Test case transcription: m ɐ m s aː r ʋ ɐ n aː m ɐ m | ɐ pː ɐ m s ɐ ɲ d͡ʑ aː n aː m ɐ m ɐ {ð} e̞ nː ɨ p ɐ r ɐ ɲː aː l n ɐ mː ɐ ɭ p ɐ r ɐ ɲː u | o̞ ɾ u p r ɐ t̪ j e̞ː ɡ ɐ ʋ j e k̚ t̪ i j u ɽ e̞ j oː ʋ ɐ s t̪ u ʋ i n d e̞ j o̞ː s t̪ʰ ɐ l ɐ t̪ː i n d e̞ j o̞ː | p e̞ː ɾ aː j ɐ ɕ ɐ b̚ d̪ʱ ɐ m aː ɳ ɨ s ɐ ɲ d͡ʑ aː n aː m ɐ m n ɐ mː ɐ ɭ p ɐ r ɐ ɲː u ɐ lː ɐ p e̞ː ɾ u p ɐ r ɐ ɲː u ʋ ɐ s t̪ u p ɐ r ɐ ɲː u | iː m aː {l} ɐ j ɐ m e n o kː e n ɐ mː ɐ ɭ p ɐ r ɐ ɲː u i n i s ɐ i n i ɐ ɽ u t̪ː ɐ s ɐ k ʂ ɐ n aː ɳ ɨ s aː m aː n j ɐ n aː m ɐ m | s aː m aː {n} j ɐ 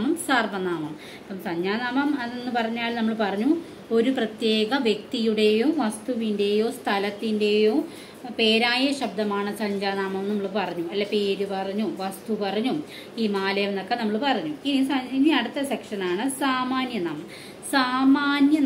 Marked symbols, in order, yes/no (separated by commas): yes, yes, yes